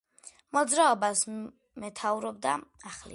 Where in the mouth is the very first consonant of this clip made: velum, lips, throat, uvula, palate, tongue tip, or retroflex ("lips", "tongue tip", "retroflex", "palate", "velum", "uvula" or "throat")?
lips